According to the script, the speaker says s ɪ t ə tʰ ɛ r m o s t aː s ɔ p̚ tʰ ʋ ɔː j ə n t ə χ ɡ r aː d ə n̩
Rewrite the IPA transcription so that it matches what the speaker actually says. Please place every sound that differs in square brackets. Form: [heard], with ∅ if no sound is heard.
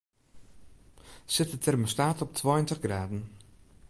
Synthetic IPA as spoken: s ɪ t ə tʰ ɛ r m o s t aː [t] ɔ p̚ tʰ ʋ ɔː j ə n t ə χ ɡ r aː d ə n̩